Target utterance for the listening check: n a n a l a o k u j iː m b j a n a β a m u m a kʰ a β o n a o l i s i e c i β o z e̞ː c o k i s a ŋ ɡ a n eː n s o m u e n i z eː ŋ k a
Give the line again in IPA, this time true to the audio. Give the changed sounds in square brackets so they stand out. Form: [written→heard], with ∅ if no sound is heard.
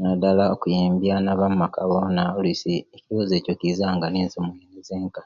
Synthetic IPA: n a [n→d] a l a o k u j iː m b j a n a β a m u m a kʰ a β o n a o l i s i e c i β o z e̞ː c o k i [s→z] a ŋ ɡ a n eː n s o m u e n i z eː ŋ k a